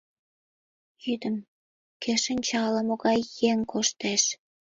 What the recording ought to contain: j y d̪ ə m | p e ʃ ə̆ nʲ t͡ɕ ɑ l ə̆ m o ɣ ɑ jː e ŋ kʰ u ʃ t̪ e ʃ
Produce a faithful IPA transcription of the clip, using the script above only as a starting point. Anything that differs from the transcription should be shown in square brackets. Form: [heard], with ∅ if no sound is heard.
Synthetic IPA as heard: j y d̪ ə m | [k] e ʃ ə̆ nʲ t͡ɕ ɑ l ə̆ m o ɣ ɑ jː e ŋ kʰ [o] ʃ t̪ e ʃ